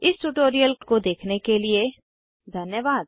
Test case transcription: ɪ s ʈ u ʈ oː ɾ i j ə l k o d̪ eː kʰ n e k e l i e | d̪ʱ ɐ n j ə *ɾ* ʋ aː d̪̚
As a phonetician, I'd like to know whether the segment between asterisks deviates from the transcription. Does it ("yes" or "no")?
yes